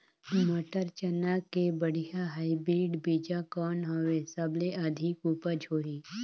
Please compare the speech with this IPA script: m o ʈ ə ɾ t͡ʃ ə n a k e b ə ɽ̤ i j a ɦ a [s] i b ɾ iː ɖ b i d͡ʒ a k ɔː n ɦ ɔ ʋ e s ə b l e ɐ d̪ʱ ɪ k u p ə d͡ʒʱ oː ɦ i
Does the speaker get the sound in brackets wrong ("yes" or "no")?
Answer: yes